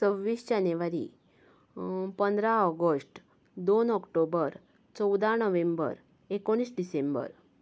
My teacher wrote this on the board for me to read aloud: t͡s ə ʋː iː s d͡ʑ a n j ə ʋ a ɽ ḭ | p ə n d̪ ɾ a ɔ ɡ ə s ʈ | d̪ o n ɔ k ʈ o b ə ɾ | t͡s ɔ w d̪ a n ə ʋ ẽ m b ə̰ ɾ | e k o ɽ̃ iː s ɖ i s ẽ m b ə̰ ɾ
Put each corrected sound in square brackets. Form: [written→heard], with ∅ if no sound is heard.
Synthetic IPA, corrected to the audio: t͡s ə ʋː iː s d͡ʑ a n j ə ʋ a [ɽ→ɾ] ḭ | p ə n d̪ ɾ a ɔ ɡ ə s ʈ | d̪ o n ɔ k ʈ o b ə ɾ | t͡s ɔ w d̪ a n ə ʋ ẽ m b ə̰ ɾ | e k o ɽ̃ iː s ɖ i s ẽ m b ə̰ ɾ